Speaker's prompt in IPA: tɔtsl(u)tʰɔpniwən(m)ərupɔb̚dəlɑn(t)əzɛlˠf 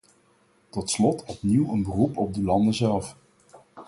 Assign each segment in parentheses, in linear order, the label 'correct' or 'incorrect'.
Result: incorrect: ɔ, incorrect: b, incorrect: d

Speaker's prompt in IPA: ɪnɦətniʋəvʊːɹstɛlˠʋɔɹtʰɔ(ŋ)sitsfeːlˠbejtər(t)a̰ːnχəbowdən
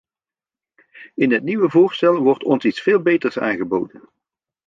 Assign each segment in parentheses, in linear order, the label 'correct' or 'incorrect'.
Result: incorrect: n, incorrect: s

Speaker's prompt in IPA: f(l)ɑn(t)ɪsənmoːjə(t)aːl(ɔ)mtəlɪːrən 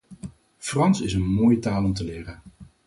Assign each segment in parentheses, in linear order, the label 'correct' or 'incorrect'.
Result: incorrect: r, incorrect: s, correct, correct

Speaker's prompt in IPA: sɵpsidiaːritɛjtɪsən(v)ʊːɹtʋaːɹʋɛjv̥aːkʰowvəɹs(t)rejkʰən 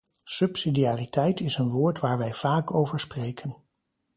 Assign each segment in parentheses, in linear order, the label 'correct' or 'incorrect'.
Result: incorrect: ʋ, incorrect: p

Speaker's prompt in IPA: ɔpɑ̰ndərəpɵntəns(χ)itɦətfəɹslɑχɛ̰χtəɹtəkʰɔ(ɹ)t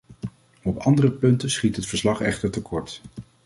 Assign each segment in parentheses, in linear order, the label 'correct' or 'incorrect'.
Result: correct, correct

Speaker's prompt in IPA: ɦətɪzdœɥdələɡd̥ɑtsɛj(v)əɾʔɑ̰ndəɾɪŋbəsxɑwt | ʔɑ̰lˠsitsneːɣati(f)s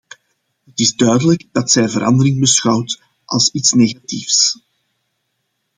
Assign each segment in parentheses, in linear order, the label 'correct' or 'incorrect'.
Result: correct, correct

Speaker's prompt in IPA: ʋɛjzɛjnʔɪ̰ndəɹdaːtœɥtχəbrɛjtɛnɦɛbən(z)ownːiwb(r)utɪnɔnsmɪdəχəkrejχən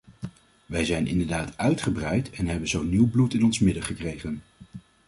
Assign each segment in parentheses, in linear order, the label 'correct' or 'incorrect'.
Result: correct, incorrect: l

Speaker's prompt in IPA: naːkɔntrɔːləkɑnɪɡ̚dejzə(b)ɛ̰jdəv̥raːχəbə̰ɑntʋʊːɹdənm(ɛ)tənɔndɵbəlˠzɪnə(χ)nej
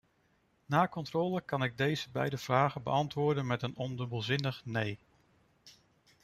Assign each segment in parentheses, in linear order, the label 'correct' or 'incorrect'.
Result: correct, correct, correct

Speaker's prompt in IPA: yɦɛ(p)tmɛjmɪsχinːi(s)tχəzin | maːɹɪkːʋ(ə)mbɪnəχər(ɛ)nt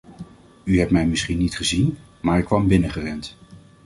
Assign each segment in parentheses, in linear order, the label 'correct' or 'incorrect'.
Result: correct, incorrect: none, incorrect: ɑ, correct

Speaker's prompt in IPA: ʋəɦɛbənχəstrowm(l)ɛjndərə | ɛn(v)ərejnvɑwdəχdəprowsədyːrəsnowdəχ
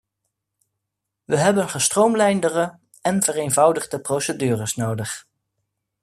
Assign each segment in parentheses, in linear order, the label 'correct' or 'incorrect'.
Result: correct, correct

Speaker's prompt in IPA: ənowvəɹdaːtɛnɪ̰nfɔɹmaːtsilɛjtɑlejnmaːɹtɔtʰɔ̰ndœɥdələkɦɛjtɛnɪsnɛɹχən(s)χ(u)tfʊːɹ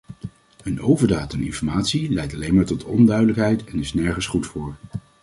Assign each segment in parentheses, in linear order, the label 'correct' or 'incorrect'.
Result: correct, correct

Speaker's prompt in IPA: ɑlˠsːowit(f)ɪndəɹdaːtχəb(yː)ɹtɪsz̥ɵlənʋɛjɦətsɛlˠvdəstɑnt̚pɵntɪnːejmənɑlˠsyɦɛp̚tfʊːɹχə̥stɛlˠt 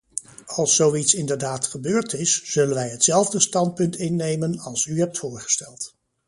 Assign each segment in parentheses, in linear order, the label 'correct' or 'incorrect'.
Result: incorrect: s, incorrect: øː

